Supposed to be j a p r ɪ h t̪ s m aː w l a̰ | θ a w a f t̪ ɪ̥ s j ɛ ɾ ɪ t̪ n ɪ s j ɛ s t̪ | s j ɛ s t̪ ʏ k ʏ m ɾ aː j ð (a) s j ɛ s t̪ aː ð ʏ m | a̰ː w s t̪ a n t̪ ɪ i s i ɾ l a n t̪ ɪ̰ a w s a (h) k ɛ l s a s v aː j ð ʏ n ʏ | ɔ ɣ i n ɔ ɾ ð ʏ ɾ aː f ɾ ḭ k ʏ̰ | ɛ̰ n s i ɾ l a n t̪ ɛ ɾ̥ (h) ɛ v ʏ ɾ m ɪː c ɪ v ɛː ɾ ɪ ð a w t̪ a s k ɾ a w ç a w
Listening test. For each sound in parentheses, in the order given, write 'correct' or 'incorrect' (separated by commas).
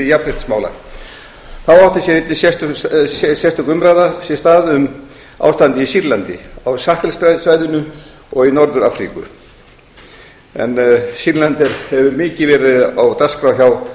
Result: correct, correct, correct